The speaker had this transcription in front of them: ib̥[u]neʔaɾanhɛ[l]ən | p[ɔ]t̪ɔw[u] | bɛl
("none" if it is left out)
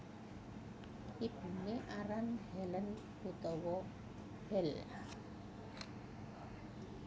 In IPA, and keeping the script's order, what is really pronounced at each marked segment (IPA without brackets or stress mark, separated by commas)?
u, l, u, ɔ